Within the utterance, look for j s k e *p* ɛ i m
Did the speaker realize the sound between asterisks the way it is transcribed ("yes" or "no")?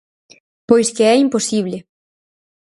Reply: no